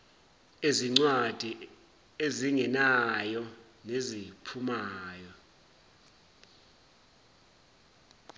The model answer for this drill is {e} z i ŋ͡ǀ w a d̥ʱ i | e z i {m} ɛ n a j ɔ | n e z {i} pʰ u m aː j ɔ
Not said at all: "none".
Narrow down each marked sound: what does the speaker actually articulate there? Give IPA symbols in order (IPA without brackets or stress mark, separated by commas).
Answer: e, ŋ, i